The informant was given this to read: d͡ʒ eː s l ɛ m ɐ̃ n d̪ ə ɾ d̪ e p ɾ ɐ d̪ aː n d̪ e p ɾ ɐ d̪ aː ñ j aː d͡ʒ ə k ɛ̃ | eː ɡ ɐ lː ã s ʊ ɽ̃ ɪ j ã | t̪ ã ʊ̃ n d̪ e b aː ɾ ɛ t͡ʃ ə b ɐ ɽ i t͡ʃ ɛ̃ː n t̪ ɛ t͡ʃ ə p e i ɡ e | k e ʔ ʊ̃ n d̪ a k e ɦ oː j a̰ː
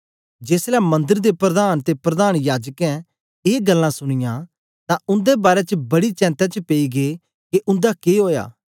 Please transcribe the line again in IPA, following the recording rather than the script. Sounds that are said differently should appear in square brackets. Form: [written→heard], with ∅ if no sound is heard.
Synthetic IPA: d͡ʒ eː s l ɛ m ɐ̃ n d̪ ə ɾ d̪ e p ɾ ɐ d̪ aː n [d̪→t̪] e p ɾ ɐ d̪ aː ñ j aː d͡ʒ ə k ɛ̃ | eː ɡ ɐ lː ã s ʊ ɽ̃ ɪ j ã | t̪ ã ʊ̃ n d̪ e b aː ɾ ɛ t͡ʃ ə b ɐ ɽ i t͡ʃ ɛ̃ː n t̪ ɛ t͡ʃ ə p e i ɡ e | k e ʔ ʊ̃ n d̪ a k e ɦ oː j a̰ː